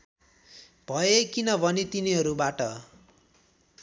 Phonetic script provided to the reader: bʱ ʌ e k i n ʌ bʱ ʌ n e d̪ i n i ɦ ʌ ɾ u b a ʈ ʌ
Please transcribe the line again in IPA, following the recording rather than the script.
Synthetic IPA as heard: bʱ ʌ e k i n ʌ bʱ ʌ n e t̪ i n i ɦ ʌ ɾ u b a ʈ ʌ